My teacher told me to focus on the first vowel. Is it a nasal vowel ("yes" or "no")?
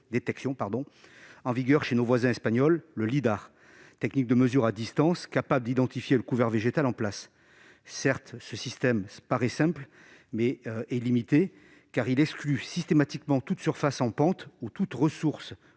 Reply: no